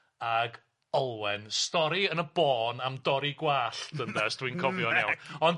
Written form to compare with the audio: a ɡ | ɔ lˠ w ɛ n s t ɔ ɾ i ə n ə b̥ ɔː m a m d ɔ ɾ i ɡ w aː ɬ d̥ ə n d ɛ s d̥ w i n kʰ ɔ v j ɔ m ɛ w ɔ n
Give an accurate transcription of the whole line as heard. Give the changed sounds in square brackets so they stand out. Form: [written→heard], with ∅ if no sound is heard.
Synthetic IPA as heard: a ɡ | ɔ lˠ w ɛ n s t ɔ ɾ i ə n ə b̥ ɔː [m→n] a m d ɔ ɾ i ɡ w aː ɬ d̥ ə n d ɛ s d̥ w i n kʰ ɔ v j ɔ [m→n] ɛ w ɔ n

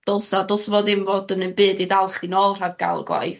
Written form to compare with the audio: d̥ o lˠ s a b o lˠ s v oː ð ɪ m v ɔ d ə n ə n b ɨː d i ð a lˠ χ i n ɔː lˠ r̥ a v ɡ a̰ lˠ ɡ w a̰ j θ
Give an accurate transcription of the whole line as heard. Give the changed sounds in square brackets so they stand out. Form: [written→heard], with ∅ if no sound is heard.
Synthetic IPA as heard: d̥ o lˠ s a [b→d] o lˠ s v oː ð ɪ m v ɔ d ə n ə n b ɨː d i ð a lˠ χ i n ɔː lˠ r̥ a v ɡ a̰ lˠ ɡ w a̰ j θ

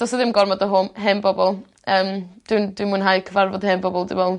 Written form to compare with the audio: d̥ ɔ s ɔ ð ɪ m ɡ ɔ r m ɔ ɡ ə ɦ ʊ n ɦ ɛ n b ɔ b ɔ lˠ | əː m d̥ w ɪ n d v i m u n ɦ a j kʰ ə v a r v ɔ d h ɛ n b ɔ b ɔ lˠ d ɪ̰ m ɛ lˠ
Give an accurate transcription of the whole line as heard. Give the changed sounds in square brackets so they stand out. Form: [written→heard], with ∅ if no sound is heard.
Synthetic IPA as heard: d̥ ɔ s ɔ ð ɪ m ɡ ɔ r m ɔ [ɡ→d] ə ɦ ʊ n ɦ ɛ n b ɔ b ɔ lˠ | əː m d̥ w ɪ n d [v→w] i m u n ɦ a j kʰ ə v a r v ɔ d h ɛ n b ɔ b ɔ lˠ d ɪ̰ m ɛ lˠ

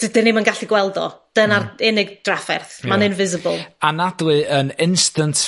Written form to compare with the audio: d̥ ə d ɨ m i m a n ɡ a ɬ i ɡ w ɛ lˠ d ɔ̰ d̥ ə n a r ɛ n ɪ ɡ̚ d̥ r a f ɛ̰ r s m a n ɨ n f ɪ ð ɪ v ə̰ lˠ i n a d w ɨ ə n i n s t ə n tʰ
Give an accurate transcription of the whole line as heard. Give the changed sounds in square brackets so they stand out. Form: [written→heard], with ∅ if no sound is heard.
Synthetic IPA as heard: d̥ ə d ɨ [m→n] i m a n ɡ a ɬ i ɡ w ɛ lˠ d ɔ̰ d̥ ə n a r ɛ n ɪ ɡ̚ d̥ r a f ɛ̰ r [s→θ] m a n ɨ n [f→v] ɪ [ð→z] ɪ [v→b] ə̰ lˠ [i→a] n a d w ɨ ə n [i→ɪ] n s t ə n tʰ

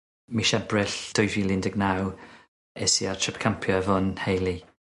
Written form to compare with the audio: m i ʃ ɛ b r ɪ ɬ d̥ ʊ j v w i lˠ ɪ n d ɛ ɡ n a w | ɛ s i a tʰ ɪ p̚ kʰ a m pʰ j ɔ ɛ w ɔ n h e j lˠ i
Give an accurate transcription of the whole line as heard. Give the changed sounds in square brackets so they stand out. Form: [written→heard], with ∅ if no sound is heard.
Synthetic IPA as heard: m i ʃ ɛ b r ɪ ɬ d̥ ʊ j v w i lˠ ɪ n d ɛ ɡ n a w | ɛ s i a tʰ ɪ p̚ kʰ a m pʰ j ɔ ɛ [w→v] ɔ n h e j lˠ i

